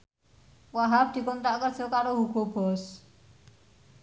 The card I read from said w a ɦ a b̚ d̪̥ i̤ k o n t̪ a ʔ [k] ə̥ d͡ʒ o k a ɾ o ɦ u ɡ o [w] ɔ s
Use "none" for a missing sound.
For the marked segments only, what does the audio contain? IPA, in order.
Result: k, b

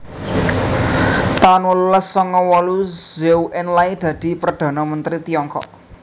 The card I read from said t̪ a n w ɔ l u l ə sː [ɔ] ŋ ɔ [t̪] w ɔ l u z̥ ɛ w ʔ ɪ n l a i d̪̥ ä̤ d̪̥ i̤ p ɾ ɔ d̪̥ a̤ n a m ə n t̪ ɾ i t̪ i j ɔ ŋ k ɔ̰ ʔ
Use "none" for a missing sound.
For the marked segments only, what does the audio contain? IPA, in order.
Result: ɔ, none

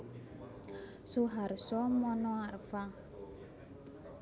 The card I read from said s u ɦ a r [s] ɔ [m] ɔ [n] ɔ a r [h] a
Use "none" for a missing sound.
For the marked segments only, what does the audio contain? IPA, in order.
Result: s, m, n, f

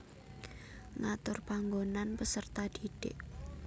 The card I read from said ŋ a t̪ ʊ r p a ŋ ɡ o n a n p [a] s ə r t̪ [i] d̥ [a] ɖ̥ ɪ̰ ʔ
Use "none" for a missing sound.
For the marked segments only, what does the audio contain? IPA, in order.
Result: ə, a, i

